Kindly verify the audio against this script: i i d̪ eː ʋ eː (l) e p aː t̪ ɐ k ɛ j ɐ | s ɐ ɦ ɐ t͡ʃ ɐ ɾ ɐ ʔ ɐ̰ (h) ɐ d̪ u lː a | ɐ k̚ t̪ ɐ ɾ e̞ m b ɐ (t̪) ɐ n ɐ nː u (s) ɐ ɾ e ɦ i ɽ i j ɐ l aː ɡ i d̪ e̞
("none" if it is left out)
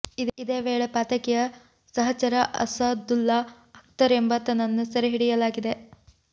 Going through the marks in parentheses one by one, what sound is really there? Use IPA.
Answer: ɭ, s, t̪, s

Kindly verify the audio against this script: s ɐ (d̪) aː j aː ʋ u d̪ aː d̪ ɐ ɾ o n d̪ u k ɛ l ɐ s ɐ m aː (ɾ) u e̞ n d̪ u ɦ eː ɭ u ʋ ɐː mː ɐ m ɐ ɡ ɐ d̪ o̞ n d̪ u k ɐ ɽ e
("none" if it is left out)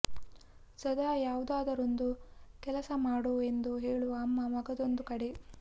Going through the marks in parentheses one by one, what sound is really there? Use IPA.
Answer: d̪, ɽ

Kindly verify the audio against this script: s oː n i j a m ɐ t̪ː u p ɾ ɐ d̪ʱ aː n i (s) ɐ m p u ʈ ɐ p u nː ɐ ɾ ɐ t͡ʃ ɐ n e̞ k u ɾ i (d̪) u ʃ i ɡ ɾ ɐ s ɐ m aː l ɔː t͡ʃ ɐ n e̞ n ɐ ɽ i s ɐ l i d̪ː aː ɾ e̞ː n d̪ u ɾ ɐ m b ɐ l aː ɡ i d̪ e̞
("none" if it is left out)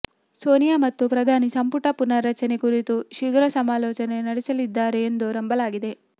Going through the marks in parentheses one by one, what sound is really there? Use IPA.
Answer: s, t̪

